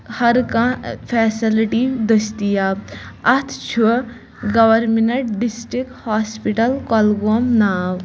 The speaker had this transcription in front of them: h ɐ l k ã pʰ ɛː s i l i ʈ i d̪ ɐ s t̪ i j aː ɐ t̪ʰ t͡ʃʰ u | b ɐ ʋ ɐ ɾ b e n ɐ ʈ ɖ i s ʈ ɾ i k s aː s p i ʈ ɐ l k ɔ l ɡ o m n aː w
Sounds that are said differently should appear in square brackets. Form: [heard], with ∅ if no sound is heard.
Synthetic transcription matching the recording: h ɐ [ɾ] k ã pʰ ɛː s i l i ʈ i d̪ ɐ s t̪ i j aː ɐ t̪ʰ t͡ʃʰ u | [ɡ] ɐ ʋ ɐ ɾ [m] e n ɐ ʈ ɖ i s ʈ ɾ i k [h] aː s p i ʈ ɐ l k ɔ l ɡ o m n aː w